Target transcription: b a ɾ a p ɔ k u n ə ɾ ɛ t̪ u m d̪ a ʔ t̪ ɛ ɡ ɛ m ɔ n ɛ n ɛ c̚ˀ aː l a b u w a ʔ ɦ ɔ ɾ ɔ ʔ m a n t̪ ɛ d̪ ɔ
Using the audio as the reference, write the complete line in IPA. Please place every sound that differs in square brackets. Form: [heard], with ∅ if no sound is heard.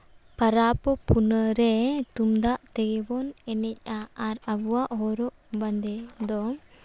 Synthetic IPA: [p] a ɾ a p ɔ [p] u n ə ɾ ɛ t̪ u m d̪ a ʔ t̪ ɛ ɡ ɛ [b] ɔ n ɛ n ɛ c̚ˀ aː [ɾ] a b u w a ʔ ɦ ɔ ɾ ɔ ʔ [b] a n [d̪] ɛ d̪ ɔ

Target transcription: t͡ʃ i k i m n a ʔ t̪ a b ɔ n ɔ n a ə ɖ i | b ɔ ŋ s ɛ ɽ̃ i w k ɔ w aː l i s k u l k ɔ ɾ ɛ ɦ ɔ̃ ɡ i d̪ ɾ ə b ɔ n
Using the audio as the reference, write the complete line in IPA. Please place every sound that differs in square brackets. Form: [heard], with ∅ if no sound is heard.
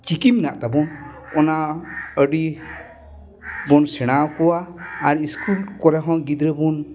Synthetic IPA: t͡ʃ i k i m n a ʔ t̪ a b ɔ n ɔ n a ə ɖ i | b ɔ [n] s ɛ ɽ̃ [a] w k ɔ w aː [ɾ] i s k u l k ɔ ɾ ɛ ɦ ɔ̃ ɡ i d̪ ɾ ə b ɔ n

